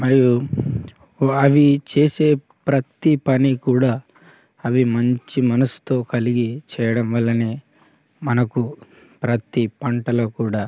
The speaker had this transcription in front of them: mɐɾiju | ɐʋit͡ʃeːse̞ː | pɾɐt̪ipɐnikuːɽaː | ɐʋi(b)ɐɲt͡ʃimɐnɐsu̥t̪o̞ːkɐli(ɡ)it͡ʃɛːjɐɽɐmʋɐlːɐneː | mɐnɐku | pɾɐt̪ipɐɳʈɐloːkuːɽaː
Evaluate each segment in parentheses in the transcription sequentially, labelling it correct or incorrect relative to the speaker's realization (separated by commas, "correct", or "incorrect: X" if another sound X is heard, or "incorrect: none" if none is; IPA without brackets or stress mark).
incorrect: m, correct